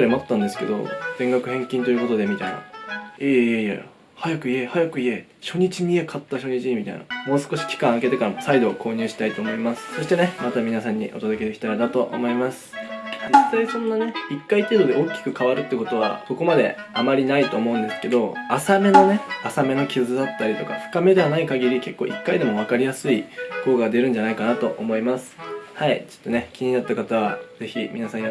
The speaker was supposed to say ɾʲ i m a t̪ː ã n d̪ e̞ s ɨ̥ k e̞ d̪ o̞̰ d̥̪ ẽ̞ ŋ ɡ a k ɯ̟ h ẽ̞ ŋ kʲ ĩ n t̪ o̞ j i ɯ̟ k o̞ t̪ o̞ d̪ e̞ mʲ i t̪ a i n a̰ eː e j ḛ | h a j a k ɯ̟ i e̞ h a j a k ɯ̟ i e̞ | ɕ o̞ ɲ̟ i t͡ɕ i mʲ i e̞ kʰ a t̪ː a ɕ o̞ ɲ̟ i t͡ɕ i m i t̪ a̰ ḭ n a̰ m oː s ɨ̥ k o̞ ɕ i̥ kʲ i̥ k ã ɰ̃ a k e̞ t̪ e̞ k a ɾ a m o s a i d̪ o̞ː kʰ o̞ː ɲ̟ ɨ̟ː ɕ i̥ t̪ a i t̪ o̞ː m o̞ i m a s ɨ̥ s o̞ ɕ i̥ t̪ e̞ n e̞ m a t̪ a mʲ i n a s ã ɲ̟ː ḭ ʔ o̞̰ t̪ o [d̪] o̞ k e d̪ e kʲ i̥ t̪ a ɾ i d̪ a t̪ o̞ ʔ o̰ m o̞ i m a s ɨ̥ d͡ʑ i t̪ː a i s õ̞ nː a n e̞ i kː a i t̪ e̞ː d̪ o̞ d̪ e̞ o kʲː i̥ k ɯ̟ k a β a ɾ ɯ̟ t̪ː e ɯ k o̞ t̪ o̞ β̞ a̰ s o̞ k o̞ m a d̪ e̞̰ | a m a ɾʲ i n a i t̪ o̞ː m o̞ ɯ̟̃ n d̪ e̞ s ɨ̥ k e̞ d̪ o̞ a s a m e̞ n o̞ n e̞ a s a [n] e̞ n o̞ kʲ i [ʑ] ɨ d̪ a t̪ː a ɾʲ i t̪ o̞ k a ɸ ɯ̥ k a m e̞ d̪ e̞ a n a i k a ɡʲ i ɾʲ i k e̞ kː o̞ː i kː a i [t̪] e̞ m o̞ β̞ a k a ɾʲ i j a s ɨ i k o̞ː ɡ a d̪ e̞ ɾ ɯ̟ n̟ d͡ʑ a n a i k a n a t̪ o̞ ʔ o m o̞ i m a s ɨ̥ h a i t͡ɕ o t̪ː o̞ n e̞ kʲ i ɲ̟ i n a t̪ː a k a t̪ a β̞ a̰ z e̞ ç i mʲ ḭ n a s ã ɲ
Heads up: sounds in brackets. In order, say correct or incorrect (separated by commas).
correct, incorrect, incorrect, incorrect